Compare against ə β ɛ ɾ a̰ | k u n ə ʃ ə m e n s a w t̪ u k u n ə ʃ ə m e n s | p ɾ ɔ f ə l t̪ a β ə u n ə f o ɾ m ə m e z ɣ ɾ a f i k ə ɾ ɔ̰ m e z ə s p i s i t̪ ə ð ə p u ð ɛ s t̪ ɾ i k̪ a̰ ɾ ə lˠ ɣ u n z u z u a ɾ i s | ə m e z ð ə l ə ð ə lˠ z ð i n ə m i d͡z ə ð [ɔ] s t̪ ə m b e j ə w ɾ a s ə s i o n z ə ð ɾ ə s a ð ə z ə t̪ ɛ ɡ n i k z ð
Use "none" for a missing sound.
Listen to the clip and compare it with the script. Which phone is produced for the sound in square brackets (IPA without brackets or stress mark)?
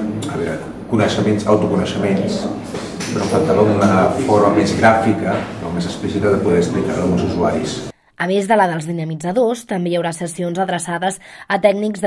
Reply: o